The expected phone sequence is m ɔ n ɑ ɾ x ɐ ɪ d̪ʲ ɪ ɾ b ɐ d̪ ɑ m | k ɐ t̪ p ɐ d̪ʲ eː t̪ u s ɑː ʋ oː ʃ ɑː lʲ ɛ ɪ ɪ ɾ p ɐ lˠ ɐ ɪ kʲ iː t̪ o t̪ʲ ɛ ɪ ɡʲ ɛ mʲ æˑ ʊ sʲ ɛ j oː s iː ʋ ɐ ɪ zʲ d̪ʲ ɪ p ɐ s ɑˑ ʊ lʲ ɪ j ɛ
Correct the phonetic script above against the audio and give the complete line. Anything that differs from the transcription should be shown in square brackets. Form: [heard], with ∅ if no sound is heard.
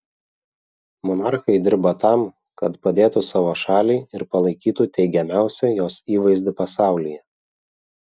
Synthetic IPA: m ɔ n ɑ ɾ x ɐ ɪ d̪ʲ ɪ ɾ b ɐ [t̪] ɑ m | k ɐ t̪ p ɐ d̪ʲ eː t̪ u s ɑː ʋ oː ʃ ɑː lʲ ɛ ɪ ɪ ɾ p ɐ lˠ ɐ ɪ kʲ iː t̪ [u] t̪ʲ ɛ ɪ ɡʲ ɛ mʲ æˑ ʊ sʲ ɛ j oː s iː ʋ ɐ ɪ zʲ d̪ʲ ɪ p ɐ s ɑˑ ʊ lʲ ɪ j ɛ